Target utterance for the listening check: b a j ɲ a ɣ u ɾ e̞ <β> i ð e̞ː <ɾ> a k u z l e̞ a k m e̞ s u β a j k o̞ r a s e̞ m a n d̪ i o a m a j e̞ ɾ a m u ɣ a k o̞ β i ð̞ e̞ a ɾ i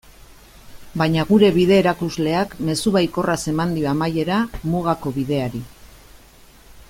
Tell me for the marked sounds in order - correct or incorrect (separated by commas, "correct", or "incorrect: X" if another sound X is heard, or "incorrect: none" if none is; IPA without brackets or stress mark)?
correct, correct